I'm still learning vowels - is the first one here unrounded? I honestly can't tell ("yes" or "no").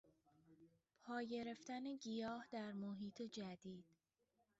no